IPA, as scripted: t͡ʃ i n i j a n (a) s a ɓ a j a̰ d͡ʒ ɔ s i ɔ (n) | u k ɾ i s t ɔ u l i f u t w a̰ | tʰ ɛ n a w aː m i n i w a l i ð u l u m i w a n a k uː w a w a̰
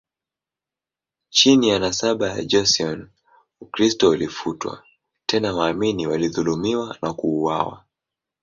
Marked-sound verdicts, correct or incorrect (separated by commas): correct, correct